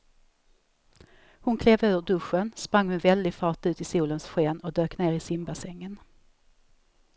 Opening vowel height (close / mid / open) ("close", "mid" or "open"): close